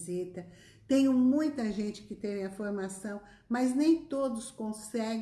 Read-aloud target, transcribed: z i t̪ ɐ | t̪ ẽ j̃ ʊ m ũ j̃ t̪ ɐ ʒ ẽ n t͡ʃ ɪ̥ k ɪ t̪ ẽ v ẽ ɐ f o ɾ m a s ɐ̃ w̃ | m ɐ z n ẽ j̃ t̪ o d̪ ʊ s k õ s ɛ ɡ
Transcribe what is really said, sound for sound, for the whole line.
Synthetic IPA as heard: z i t̪ ɐ | t̪ ẽ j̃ ʊ m ũ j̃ t̪ ɐ ʒ ẽ n t͡ʃ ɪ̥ k ɪ t̪ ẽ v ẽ ɐ f o ɾ m a s ɐ̃ w̃ | m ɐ z n ẽ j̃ t̪ o d̪ ʊ s k õ s ɛ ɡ